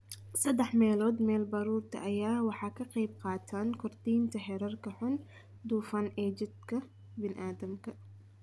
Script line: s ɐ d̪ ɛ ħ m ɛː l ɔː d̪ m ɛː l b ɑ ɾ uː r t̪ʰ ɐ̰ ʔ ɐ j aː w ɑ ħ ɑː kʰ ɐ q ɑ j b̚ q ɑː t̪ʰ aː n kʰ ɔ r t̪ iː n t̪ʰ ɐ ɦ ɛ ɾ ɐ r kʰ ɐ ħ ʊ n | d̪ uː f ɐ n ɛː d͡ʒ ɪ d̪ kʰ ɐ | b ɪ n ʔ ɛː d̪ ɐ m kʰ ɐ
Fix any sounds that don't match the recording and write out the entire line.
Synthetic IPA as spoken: s ɐ d̪ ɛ ħ m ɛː l ɔː d̪ m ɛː l b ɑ ɾ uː r t̪ʰ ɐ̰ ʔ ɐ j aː w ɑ ħ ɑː kʰ ɐ q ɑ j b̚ q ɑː t̪ʰ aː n kʰ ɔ r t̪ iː n t̪ʰ ɐ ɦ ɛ ɾ ɐ r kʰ ɐ ħ ʊ n | d̪ uː f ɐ n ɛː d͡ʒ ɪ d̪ kʰ ɐ | b ɪ n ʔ aː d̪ ɐ m kʰ ɐ